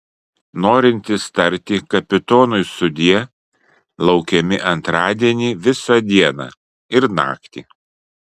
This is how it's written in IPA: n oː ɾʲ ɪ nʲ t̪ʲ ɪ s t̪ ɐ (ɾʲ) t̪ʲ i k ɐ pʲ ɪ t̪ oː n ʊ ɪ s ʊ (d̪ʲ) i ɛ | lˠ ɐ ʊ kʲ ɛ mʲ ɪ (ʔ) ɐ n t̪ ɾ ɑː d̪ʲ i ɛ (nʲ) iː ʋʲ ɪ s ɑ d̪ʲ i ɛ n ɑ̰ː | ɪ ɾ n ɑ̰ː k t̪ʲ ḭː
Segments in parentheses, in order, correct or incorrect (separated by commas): correct, correct, correct, correct